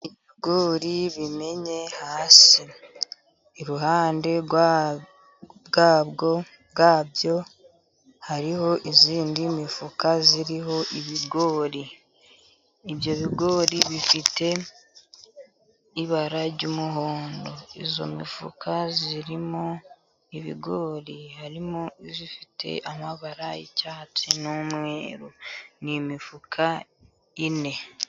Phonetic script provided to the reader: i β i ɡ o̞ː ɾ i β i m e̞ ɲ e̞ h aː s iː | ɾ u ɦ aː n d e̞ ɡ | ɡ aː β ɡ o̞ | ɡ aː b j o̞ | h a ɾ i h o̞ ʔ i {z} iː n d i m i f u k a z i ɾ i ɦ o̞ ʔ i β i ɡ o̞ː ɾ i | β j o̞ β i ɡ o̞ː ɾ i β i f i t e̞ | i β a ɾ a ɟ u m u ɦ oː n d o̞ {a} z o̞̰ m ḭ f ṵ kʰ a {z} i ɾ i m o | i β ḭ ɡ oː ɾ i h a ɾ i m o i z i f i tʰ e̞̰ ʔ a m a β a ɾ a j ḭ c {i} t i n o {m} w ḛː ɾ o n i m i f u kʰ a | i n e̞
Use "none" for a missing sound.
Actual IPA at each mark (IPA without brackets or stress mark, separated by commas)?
z, i, z, a, m